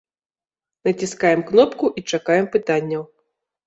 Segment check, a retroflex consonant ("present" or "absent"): present